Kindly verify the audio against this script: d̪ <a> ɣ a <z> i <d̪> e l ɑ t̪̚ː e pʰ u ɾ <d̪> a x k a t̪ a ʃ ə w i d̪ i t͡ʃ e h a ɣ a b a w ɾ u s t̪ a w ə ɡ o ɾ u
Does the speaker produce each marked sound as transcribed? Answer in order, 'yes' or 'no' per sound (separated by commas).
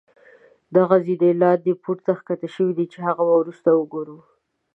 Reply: yes, yes, yes, no